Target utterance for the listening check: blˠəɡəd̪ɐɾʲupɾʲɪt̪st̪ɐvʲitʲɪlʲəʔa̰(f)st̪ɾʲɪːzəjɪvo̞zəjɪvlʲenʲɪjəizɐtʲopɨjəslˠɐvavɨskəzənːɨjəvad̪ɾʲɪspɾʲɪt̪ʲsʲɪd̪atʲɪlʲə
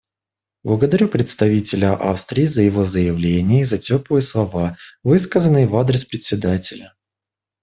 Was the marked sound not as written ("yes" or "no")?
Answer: no